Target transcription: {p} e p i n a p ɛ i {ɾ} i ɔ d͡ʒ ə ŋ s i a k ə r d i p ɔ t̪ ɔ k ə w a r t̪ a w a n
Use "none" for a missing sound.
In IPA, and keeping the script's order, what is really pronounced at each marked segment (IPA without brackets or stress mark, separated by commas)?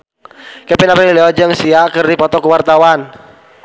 k, l